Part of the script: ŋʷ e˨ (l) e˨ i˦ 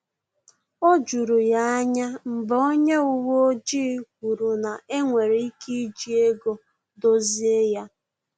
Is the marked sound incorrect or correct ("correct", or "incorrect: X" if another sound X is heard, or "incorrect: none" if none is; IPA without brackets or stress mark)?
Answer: incorrect: ɾ